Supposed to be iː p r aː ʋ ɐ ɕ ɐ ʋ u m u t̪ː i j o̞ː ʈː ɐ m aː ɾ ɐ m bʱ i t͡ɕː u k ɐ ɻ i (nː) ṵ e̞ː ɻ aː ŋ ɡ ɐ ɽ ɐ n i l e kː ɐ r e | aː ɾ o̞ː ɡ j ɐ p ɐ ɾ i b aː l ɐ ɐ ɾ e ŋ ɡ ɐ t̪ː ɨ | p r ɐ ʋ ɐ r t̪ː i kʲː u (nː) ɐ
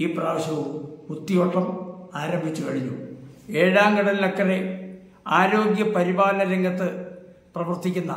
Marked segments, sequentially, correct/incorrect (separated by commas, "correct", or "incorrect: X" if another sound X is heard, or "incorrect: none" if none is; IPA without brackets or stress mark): incorrect: ɲː, correct